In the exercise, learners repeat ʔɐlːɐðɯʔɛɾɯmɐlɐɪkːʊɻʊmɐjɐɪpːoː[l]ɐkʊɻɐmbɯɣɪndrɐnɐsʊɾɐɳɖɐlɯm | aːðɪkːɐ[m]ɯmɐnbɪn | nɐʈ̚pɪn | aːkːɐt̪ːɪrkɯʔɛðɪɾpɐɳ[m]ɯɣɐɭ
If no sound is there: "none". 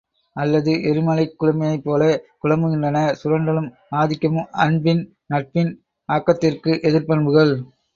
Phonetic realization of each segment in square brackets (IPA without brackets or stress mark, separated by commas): l, m, b